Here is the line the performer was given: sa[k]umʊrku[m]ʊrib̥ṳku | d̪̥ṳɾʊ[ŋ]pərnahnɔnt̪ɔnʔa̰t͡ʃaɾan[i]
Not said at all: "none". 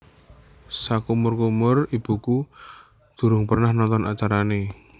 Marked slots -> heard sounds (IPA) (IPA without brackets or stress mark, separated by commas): k, m, ŋ, e